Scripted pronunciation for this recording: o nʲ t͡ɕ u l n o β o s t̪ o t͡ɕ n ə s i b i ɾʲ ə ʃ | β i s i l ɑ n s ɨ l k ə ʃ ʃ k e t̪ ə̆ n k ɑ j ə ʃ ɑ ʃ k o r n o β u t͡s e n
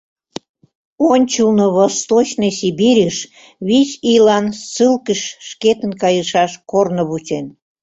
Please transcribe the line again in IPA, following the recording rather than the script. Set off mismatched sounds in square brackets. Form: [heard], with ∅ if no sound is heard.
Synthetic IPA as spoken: o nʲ t͡ɕ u l n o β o s t̪ o t͡ɕ n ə s i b i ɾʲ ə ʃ | β i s i l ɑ n s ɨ l k ə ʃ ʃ k e t̪ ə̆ n k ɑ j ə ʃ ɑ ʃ k o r n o β u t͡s e n